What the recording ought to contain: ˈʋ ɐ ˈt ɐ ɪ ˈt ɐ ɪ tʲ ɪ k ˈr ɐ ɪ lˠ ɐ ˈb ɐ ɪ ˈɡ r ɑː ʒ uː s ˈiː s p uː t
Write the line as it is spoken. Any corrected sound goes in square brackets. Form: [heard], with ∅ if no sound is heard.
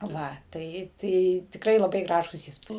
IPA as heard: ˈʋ ɐ ˈt ɐ ɪ ˈt ɐ ɪ tʲ ɪ k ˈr ɐ ɪ lˠ ɐ ˈb ɐ ɪ ˈɡ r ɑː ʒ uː s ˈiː s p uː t

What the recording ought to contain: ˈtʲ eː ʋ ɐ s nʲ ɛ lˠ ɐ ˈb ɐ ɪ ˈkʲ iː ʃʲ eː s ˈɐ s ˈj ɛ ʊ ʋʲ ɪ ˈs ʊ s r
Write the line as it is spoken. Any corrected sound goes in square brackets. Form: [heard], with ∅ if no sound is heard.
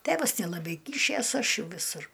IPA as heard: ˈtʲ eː ʋ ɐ s nʲ ɛ lˠ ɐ ˈb ɐ ɪ ˈkʲ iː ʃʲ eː s ˈɐ [ʃ] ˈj ɛ ʊ ʋʲ ɪ ˈs ʊ [∅] r

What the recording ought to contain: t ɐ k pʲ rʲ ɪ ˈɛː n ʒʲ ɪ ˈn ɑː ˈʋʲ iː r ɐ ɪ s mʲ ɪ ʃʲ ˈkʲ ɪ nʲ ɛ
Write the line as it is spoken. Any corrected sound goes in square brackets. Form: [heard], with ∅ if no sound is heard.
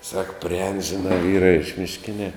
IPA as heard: [s] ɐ k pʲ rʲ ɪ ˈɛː n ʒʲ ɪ ˈn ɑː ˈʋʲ iː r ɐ ɪ [ʃ] mʲ ɪ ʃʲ ˈkʲ ɪ nʲ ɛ

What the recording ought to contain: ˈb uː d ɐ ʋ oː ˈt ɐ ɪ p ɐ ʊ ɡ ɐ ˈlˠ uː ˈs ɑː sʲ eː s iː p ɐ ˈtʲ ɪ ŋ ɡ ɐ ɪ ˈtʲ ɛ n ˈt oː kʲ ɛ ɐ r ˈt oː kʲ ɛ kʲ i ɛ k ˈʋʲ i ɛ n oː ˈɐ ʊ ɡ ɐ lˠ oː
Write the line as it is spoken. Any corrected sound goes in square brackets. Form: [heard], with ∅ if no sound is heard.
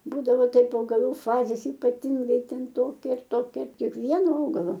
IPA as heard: ˈb uː d ɐ ʋ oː ˈt ɐ ɪ p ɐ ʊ ɡ ɐ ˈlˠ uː [ˈf] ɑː [zʲ] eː s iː p ɐ ˈtʲ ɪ ŋ ɡ ɐ ɪ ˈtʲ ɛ n ˈt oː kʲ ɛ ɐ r ˈt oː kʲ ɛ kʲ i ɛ k ˈʋʲ i ɛ n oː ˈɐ ʊ ɡ ɐ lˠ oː

